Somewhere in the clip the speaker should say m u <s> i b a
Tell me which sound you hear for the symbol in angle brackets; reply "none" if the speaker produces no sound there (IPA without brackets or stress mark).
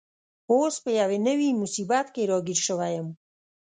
s